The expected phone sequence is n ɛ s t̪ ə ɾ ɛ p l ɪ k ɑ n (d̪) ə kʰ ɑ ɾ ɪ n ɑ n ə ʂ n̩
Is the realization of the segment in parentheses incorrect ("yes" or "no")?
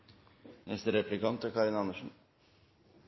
yes